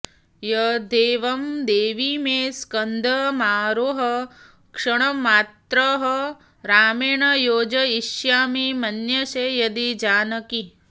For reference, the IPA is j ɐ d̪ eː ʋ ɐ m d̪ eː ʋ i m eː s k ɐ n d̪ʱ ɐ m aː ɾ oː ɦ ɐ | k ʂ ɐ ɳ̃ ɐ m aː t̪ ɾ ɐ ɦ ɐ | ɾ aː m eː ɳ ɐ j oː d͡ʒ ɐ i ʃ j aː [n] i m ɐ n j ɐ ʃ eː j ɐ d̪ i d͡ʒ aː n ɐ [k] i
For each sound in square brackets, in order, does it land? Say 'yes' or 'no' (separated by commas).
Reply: no, yes